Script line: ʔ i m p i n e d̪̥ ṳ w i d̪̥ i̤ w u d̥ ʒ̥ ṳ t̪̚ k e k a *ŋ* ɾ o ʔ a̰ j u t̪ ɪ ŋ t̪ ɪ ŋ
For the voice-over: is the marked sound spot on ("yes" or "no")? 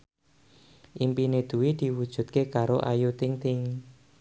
no